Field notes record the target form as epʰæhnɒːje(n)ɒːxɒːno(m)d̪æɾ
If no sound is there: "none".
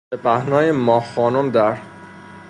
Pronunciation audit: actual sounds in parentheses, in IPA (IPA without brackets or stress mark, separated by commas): m, m